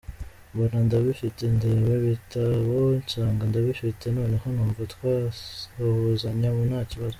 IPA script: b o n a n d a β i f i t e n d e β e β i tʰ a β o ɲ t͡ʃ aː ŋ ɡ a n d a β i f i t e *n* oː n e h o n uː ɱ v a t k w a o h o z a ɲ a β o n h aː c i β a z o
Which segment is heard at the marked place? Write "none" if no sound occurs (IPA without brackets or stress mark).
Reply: n